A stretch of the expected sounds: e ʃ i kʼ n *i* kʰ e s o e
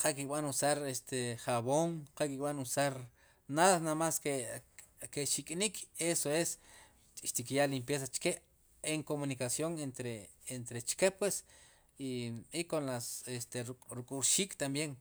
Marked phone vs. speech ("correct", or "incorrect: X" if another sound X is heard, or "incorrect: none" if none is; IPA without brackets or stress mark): correct